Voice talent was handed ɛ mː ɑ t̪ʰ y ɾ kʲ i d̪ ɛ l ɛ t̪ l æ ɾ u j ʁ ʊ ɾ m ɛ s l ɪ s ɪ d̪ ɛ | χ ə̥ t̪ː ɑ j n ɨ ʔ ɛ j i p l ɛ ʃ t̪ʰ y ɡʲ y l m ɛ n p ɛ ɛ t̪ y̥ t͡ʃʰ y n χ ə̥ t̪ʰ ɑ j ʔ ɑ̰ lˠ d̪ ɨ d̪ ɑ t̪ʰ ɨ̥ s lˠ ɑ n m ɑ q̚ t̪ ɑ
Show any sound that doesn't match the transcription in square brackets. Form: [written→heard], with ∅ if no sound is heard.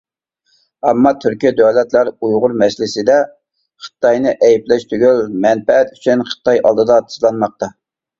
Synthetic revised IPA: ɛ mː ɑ t̪ʰ y ɾ kʲ i d̪ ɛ l ɛ t̪ l æ ɾ u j ʁ ʊ ɾ m ɛ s l ɪ s ɪ d̪ ɛ | χ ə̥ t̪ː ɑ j n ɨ ʔ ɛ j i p l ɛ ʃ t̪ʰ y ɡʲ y l m ɛ n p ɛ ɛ t̪ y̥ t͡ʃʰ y n χ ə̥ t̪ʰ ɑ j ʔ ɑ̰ lˠ d̪ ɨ d̪ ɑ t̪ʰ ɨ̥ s lˠ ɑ n m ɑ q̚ t̪ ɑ